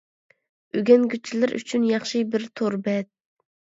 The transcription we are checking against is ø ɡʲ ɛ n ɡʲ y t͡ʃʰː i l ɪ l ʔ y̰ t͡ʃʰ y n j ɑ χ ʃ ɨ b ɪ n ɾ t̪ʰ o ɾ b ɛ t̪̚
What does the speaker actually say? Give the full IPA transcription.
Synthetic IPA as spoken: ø ɡʲ ɛ n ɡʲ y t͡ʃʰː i l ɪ ɾ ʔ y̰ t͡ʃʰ y n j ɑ χ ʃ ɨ b ɪ ɾ t̪ʰ o ɾ b ɛ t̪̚